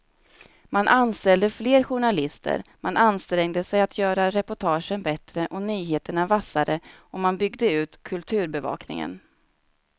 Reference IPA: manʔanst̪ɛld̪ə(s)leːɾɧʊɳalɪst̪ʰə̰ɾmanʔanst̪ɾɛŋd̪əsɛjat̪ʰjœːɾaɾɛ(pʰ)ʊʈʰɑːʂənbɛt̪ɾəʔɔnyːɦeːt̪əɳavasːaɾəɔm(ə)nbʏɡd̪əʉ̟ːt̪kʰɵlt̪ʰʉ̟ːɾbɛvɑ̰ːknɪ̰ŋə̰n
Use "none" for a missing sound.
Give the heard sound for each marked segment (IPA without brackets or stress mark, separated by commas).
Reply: f, p, a